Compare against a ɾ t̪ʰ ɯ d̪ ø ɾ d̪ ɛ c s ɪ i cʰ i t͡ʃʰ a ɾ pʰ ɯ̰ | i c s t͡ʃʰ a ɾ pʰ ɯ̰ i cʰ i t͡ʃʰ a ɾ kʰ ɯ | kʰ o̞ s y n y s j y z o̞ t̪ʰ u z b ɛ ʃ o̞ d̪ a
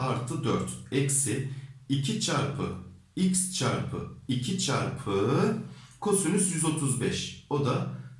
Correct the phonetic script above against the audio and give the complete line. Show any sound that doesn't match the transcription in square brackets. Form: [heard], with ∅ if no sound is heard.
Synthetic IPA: a ɾ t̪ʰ ɯ d̪ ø ɾ [t̪] ɛ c s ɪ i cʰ i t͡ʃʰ a ɾ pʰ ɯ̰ | i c s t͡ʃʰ a ɾ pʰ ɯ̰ i cʰ i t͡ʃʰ a ɾ [pʰ] ɯ | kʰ o̞ s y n y s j y z o̞ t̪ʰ u z b ɛ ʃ o̞ d̪ a